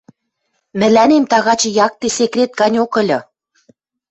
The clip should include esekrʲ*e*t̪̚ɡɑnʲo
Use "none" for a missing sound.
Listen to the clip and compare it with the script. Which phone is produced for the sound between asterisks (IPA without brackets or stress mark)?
e